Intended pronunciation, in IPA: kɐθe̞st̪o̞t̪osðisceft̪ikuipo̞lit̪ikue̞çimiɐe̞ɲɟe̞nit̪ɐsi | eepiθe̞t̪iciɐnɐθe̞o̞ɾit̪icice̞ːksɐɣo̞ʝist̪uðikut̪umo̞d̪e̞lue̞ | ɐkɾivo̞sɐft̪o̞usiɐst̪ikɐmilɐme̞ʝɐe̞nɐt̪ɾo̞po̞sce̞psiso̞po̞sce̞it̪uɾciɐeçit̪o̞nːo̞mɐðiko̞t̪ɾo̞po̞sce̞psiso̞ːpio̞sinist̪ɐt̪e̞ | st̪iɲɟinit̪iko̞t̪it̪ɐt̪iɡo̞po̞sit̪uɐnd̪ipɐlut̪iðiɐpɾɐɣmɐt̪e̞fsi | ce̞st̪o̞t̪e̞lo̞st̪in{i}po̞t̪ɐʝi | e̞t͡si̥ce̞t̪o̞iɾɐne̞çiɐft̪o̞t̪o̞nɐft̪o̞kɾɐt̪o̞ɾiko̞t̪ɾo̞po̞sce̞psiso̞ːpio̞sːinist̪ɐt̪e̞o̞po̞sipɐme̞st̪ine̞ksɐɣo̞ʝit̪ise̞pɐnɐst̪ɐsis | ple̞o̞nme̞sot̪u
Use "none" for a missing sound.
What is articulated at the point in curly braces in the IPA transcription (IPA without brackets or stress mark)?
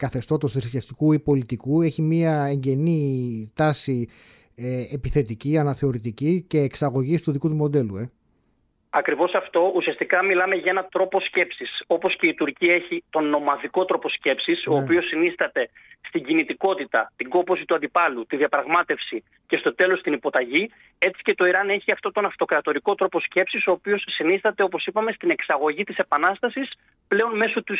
i